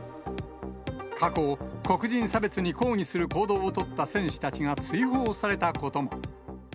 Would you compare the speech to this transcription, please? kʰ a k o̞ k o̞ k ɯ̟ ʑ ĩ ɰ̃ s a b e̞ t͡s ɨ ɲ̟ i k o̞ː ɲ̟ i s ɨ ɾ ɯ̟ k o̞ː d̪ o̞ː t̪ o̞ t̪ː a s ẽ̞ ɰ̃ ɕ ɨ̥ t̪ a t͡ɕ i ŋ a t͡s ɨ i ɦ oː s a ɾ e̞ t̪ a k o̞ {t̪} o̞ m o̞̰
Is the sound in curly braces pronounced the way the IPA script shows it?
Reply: yes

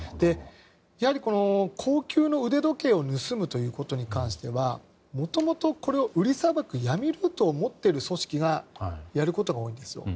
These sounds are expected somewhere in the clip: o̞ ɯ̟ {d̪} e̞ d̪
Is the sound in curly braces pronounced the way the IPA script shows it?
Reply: yes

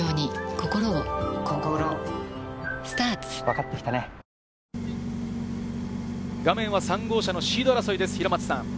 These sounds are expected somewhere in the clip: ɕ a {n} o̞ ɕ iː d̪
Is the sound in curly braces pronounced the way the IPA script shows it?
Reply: yes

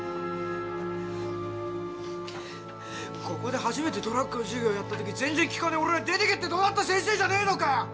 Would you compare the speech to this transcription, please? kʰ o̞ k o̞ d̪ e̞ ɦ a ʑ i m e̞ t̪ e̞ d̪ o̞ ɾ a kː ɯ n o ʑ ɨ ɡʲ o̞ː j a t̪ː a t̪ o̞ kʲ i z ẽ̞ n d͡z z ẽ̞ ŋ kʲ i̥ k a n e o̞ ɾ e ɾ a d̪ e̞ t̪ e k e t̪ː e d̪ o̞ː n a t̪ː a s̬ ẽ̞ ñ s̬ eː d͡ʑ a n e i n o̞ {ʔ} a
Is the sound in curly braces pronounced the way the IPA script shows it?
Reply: no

